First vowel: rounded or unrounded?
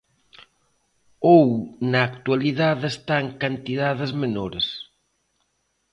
rounded